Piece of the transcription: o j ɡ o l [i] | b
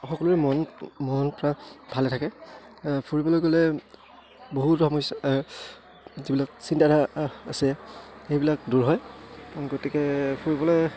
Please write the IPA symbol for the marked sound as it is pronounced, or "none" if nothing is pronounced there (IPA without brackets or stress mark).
ɛ